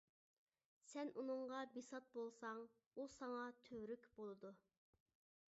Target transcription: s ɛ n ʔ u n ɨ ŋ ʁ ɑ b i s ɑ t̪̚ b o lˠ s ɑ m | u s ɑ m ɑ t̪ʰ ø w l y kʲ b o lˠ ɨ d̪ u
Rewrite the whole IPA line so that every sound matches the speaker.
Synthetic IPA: s ɛ n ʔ u n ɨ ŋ ʁ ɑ b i s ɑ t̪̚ b o lˠ s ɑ ŋ | u s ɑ ŋ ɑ t̪ʰ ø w ɾ y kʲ b o lˠ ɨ d̪ u